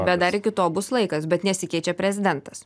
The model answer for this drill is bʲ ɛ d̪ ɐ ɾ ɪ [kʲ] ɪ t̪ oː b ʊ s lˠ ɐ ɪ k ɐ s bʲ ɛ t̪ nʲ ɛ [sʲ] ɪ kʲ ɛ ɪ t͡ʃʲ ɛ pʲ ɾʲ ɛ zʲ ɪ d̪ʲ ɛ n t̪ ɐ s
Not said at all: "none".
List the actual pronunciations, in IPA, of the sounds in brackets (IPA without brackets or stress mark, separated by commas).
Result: kʲ, sʲ